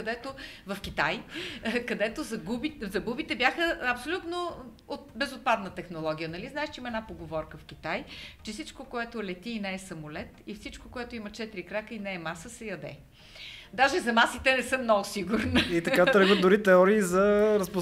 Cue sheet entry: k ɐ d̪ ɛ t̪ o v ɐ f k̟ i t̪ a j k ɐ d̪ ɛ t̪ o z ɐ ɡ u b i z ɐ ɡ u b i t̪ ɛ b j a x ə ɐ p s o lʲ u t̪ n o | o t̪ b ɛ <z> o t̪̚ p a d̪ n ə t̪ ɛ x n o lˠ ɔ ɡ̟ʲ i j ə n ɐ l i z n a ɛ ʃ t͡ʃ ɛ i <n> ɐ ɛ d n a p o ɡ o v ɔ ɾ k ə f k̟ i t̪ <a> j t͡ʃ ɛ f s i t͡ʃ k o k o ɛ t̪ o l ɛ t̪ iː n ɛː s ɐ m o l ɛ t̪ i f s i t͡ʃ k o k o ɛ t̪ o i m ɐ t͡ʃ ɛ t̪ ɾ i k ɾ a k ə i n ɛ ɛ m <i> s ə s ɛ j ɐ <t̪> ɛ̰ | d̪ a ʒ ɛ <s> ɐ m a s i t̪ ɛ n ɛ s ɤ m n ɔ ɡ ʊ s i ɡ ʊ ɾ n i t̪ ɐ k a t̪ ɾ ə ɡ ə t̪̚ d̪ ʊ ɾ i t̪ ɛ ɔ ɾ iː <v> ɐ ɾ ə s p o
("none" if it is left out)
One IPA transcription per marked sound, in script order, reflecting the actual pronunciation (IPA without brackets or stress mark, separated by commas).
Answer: z, m, a, a, d̪, z, z